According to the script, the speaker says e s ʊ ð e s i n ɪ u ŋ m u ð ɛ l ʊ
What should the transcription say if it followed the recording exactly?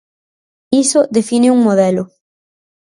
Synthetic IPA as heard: i s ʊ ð e f i n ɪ u ŋ m o ð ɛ l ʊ